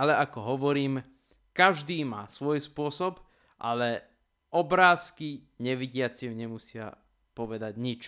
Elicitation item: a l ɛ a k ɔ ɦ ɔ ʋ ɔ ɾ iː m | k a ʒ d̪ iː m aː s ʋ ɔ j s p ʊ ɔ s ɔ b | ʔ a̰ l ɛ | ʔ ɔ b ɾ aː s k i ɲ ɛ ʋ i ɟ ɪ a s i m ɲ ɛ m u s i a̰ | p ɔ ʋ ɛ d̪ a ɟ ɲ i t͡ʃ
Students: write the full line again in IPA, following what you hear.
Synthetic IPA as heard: a l ɛ a k ɔ ɦ ɔ ʋ ɔ ɾ iː m | k a ʒ d̪ iː m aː s ʋ ɔ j s p ʊ ɔ s ɔ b | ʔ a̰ l ɛ | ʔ ɔ b ɾ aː s k i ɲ ɛ ʋ i ɟ ɪ a t͡s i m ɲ ɛ m u s ɪ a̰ | p ɔ ʋ ɛ d̪ a ɟ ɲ i t͡ʃ